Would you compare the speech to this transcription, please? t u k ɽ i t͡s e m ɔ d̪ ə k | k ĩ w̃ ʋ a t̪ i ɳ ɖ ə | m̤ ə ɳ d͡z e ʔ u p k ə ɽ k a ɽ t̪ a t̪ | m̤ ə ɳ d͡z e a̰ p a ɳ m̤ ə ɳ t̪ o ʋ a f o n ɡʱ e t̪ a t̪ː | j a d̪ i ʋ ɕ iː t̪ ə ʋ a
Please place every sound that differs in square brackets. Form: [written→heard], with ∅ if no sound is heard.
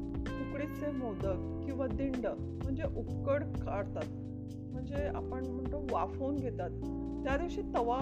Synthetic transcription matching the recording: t u k ɽ i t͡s e m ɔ d̪ ə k | k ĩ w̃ ʋ a [t̪→d̪] i ɳ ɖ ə | m̤ ə ɳ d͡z e ʔ u p k ə ɽ k a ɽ t̪ a t̪ | m̤ ə ɳ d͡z e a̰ p [a→ə] ɳ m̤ ə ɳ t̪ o ʋ a f o n ɡʱ e t̪ a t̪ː | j a d̪ i ʋ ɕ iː t̪ ə ʋ a